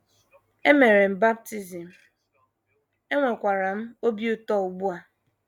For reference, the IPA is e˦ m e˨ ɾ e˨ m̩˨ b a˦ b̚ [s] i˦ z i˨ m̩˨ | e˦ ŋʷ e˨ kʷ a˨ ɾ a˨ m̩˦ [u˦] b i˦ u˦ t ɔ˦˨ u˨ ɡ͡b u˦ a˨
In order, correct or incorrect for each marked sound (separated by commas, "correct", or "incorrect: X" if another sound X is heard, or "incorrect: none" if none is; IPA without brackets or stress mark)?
incorrect: t, incorrect: o˦